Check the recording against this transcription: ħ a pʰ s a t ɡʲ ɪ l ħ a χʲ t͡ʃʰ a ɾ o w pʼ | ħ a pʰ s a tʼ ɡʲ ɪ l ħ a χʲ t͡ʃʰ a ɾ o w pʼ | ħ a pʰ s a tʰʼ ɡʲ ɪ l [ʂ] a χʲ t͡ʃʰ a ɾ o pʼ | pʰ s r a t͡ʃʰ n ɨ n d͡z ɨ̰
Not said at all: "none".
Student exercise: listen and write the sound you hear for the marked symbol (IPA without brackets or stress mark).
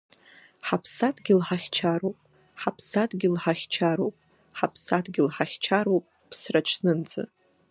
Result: ħ